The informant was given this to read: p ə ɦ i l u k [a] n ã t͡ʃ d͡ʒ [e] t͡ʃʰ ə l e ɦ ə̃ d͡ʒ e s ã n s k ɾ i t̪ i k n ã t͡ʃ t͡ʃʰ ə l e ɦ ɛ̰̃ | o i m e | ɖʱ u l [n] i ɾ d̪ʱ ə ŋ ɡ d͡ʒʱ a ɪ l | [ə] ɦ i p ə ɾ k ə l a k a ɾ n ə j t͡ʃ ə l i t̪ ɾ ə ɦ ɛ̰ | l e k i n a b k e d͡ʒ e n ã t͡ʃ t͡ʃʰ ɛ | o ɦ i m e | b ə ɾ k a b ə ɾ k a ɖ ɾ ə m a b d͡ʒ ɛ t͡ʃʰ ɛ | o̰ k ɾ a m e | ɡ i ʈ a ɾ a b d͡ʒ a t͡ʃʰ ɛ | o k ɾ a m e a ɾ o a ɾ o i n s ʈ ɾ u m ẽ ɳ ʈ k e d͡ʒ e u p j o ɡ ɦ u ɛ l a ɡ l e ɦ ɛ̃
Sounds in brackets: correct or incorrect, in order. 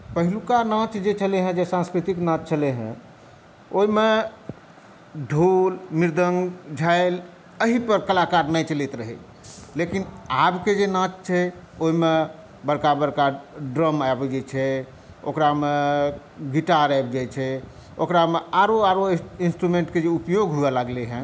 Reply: correct, correct, incorrect, correct

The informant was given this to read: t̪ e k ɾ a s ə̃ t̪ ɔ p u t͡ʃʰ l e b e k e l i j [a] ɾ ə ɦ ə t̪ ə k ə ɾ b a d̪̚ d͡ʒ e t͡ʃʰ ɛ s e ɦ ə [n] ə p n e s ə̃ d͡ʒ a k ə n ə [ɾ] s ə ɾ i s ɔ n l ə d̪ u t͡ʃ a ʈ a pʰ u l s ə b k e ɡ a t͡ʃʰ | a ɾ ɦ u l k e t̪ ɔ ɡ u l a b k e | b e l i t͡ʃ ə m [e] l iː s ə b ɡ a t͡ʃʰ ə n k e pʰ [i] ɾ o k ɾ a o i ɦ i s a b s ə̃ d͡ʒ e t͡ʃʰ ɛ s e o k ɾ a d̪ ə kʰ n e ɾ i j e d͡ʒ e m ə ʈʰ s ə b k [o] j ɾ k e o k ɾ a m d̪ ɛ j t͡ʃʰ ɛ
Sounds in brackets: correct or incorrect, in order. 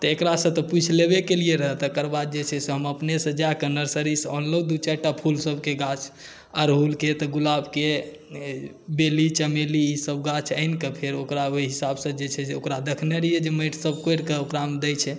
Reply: incorrect, incorrect, correct, correct, incorrect, correct

